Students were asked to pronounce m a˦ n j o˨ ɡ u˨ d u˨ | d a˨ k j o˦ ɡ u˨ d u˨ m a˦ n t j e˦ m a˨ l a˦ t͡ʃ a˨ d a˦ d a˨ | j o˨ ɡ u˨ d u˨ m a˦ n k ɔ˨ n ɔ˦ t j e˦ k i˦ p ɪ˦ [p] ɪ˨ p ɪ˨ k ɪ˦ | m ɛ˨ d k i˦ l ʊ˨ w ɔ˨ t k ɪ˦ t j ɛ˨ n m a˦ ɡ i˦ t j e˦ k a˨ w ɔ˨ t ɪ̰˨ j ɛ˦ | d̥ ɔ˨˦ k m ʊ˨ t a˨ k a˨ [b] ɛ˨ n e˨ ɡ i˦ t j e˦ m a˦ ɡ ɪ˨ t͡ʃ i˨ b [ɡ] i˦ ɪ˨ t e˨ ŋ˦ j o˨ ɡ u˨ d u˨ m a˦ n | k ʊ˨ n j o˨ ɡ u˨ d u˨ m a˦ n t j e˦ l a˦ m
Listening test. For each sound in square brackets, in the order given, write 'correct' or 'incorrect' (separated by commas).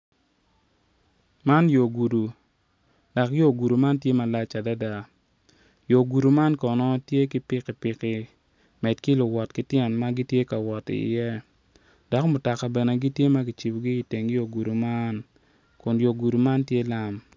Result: incorrect, correct, correct